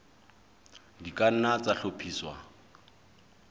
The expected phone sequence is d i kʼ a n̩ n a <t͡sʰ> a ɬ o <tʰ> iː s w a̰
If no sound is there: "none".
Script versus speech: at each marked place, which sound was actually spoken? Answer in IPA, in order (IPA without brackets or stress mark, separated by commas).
t͡s, pʰ